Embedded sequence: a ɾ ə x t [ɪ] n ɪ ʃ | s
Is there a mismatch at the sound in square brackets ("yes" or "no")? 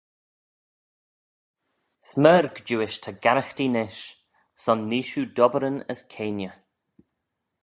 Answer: yes